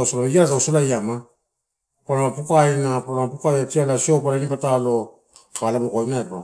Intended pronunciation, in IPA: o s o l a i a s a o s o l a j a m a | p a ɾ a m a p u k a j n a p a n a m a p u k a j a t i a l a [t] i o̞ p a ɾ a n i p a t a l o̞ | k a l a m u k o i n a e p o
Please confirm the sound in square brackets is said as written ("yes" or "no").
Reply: no